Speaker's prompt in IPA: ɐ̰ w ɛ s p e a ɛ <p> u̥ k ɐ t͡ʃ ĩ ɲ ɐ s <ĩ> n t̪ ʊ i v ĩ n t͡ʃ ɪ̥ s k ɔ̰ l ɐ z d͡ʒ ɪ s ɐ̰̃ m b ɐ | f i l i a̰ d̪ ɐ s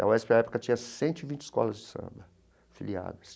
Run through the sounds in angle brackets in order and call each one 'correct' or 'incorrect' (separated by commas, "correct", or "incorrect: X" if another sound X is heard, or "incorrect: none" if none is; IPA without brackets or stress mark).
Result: correct, incorrect: ẽ